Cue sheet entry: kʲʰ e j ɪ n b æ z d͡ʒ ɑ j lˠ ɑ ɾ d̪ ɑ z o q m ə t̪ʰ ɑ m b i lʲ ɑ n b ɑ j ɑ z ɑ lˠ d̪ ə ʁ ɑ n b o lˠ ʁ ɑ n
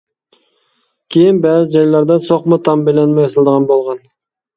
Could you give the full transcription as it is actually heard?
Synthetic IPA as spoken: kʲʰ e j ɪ n b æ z d͡ʒ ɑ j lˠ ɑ ɾ d̪ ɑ s o q m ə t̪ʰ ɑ m b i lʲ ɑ n m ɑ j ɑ s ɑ lˠ d̪ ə ʁ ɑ n b o lˠ ʁ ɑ n